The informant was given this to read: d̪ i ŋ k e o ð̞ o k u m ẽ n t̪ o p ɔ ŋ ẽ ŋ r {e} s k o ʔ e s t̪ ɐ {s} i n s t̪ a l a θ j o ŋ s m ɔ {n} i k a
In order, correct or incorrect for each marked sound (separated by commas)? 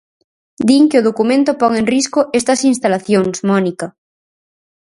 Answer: incorrect, correct, correct